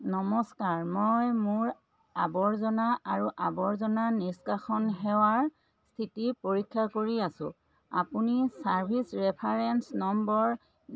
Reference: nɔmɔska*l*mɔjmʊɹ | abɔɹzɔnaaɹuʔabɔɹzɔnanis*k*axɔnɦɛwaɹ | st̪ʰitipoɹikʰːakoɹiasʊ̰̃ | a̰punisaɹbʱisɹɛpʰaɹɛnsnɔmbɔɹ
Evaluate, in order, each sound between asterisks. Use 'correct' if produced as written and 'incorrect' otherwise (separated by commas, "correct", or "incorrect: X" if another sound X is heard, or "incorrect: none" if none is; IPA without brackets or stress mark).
incorrect: ɹ, correct